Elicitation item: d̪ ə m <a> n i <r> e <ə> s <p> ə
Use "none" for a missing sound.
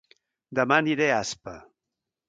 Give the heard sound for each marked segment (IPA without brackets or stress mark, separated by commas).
a, ɾ, a, p